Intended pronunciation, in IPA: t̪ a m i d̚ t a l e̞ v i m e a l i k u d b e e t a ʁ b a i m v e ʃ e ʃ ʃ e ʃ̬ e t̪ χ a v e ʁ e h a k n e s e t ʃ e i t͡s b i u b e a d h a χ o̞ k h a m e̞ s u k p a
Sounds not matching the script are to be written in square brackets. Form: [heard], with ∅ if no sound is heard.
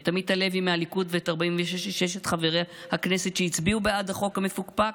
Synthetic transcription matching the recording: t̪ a m i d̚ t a l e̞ v i m e a l i k u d [v] e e t a ʁ b a i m v e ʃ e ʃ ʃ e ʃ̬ e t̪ χ a v e ʁ e h a k n e s e t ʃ e i t͡s b i u b e a d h a χ o̞ k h a m e̞ [f] u k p a